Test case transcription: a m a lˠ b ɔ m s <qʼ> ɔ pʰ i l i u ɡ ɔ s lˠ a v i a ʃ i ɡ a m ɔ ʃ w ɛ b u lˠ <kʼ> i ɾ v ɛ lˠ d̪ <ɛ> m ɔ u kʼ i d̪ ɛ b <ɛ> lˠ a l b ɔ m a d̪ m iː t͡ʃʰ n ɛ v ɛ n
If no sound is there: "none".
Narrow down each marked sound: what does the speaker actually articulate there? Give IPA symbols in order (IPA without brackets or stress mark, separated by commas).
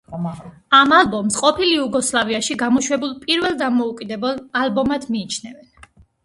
qʼ, pʼ, a, ɛ